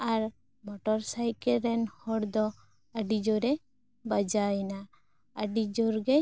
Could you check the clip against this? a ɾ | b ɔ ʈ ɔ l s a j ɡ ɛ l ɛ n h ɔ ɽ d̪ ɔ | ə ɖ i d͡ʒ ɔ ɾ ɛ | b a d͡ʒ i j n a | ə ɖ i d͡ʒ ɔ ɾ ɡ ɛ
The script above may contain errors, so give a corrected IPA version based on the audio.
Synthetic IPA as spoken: a ɾ | m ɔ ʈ ɔ ɾ s a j k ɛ ɾ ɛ n h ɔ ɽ d̪ ɔ | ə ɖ i d͡ʒ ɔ ɾ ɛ | b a d͡ʒ a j n a | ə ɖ i d͡ʒ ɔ ɾ ɡ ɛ